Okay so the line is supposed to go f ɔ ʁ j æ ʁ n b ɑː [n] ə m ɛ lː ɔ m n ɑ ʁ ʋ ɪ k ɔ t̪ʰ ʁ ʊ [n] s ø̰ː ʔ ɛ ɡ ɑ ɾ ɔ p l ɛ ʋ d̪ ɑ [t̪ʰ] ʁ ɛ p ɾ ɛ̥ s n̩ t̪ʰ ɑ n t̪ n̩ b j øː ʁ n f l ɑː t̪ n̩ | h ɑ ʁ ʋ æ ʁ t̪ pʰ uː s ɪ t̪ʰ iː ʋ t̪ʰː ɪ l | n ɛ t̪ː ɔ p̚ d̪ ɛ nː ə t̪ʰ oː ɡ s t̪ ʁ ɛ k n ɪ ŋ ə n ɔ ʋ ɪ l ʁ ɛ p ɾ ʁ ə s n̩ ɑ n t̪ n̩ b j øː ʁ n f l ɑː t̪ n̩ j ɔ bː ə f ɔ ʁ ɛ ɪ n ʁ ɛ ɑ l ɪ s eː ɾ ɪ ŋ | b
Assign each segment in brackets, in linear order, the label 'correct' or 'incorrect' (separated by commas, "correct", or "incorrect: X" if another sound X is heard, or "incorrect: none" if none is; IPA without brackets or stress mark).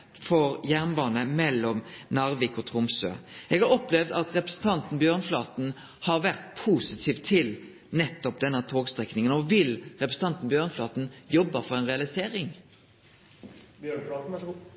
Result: correct, incorrect: m, incorrect: t̪